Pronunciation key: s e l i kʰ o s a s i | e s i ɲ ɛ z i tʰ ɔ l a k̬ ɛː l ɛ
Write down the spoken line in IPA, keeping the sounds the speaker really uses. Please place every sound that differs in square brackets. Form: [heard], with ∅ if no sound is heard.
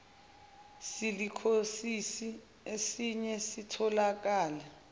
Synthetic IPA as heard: s [i] l i kʰ o s [i] s i | e s i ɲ ɛ [s] i tʰ ɔ l a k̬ [aː] l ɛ